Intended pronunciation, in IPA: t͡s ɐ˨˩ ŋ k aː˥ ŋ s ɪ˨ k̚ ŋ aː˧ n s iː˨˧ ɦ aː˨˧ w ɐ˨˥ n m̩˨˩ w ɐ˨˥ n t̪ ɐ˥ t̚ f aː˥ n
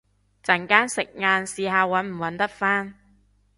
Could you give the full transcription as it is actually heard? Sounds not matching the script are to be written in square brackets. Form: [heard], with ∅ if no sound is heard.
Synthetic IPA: t͡s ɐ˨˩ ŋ k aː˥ [n] s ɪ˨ k̚ ŋ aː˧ n s iː˨˧ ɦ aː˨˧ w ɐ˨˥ n m̩˨˩ w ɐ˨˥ n t̪ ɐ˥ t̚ f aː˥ n